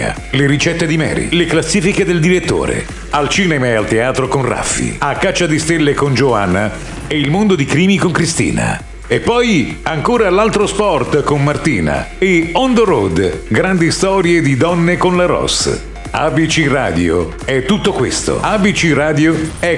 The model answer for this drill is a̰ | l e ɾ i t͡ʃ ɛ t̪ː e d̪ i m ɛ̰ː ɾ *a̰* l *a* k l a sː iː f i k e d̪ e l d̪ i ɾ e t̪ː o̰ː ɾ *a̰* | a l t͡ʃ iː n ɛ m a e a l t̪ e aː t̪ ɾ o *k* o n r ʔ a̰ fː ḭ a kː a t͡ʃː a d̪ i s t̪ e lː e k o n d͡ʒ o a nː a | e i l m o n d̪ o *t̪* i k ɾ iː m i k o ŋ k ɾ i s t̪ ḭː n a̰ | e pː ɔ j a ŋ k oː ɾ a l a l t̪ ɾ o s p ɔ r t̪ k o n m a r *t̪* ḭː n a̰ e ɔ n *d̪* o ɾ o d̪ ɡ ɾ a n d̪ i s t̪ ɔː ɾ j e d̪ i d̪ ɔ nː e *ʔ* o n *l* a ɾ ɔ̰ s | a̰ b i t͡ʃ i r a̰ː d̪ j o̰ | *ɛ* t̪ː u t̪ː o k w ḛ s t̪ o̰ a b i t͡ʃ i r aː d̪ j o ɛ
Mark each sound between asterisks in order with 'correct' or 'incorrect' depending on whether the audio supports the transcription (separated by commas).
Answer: incorrect, incorrect, incorrect, correct, incorrect, correct, correct, incorrect, correct, correct